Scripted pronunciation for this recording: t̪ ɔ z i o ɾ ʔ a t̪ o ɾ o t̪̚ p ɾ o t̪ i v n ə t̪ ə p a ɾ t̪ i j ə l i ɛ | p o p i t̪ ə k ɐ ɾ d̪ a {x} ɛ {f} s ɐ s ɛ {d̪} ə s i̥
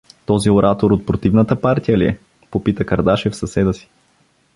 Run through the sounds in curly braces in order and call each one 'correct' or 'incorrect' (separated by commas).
incorrect, correct, correct